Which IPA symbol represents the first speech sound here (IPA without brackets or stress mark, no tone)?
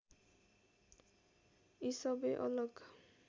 i